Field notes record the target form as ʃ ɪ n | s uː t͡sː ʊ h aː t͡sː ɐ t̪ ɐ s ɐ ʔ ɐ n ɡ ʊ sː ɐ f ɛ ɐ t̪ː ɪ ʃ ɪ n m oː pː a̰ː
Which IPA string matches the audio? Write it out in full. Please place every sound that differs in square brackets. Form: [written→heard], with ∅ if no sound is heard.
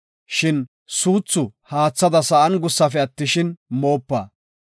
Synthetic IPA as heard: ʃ ɪ n | s uː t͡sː ʊ h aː t͡sː ɐ [t̪→d̪] ɐ s ɐ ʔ ɐ n ɡ ʊ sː ɐ f ɛ ɐ t̪ː ɪ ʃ ɪ n m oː pː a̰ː